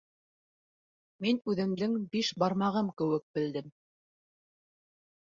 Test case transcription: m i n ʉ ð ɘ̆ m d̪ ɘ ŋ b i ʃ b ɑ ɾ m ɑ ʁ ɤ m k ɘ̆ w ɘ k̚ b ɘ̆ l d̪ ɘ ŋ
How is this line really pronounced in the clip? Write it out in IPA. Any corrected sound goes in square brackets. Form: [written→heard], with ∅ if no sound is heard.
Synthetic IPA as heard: m i n ʉ ð ɘ̆ m d̪ ɘ ŋ b i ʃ b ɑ ɾ m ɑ ʁ ɤ m k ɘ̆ w ɘ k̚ b ɘ̆ l d̪ ɘ [ŋ→m]